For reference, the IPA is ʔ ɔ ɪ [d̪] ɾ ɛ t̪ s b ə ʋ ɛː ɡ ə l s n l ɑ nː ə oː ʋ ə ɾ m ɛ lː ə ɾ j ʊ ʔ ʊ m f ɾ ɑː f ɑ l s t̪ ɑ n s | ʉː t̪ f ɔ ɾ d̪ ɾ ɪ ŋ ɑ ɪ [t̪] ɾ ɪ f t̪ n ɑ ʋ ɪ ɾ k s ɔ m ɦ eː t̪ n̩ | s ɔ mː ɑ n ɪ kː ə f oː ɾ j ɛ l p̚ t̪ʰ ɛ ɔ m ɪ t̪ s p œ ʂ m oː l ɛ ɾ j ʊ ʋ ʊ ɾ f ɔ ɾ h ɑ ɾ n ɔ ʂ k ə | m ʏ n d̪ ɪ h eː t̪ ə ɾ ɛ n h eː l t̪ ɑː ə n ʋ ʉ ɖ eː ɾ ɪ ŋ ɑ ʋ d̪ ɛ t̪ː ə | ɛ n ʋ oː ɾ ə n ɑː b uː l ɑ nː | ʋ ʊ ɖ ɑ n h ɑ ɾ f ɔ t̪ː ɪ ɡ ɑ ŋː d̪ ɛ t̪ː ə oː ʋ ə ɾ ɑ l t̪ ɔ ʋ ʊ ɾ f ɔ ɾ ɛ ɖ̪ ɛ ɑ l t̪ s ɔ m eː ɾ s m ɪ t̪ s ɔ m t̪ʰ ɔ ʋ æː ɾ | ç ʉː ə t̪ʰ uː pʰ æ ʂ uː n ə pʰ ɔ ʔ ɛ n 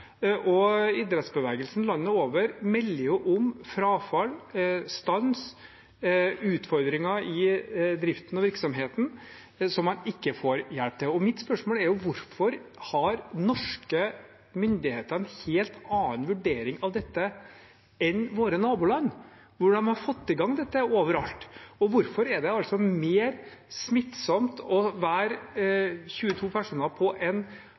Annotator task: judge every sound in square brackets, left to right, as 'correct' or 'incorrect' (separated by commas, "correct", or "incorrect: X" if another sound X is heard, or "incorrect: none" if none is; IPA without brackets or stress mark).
correct, incorrect: d̪